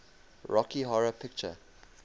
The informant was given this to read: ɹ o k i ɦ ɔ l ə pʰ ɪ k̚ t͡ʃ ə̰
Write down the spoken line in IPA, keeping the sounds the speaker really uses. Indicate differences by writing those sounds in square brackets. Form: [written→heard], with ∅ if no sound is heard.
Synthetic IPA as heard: ɹ [o→ɔ] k i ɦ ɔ [l→ɹ] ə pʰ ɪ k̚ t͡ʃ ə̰